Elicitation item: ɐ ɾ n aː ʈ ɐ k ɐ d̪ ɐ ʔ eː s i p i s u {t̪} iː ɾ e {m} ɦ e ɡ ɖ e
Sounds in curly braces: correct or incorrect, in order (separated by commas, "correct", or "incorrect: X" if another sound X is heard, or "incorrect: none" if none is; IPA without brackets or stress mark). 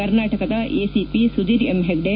incorrect: d̪, correct